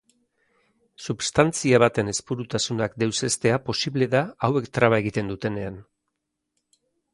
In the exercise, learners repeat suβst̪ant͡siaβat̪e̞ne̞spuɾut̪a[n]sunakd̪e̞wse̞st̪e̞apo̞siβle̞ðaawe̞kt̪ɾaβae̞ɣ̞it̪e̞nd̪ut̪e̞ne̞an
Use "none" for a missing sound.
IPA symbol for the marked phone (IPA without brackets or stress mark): none